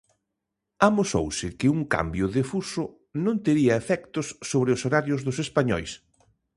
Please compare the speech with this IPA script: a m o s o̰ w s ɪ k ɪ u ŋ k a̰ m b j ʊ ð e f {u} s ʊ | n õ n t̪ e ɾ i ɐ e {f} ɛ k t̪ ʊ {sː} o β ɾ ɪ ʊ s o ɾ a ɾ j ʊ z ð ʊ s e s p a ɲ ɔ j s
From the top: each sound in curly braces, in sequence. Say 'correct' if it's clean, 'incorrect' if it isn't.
correct, correct, correct

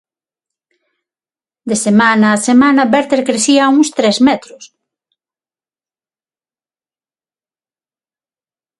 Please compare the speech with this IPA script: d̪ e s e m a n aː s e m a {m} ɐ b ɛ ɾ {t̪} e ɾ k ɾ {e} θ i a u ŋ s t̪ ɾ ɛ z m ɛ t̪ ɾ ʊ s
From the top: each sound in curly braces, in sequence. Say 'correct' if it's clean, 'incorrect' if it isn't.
incorrect: n, correct, correct

